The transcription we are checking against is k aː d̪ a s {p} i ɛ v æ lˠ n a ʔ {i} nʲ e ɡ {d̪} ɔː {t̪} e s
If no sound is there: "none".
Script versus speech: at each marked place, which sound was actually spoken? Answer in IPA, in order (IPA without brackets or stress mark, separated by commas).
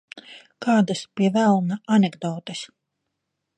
p, a, d̪, t̪